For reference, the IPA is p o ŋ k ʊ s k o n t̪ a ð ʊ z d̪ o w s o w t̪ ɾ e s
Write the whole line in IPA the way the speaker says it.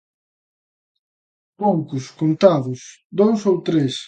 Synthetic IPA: p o ŋ k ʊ s k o n t̪ a ð ʊ s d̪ o w s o w t̪ ɾ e s